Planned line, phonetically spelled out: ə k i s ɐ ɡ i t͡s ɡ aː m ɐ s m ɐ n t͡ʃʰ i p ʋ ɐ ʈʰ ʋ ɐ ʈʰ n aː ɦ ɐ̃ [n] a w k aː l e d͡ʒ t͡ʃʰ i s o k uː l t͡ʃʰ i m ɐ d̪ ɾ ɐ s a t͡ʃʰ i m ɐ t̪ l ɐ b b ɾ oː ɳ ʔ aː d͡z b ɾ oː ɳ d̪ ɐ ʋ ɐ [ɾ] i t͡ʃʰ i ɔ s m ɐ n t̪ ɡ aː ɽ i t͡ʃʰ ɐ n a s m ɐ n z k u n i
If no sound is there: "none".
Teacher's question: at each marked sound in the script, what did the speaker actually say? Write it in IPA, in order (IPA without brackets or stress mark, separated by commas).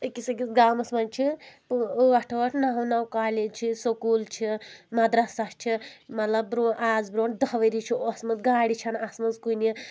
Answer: n, ɾ